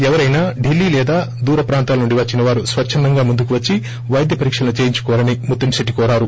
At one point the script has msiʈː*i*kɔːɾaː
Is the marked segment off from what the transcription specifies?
no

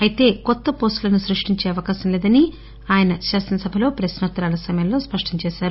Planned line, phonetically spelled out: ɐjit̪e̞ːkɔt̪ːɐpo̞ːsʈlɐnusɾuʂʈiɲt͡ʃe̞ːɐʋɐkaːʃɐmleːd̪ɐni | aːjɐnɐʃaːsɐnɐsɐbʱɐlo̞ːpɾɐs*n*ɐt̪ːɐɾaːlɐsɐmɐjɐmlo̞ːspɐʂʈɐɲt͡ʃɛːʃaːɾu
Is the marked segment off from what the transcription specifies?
no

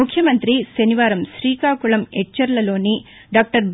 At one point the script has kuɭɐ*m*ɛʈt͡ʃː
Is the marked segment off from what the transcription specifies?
no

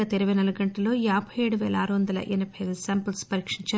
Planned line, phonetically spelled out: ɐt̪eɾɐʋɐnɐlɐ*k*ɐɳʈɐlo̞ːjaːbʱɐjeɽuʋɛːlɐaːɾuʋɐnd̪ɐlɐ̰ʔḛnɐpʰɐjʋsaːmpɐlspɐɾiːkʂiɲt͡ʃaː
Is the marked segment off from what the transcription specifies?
yes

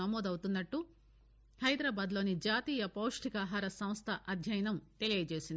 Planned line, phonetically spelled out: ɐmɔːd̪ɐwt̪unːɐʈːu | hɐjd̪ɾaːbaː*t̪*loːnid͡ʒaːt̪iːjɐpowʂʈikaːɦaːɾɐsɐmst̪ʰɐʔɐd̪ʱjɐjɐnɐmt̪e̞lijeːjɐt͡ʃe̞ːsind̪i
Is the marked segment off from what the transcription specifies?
yes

